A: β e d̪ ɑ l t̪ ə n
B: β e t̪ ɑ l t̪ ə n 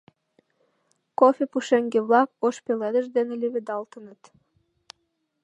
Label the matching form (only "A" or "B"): A